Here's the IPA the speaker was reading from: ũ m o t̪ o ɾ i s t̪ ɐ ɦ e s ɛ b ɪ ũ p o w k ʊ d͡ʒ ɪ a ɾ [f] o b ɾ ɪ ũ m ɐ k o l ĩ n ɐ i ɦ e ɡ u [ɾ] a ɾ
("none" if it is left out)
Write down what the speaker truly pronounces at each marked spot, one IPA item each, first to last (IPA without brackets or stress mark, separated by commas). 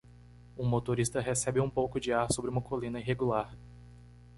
s, l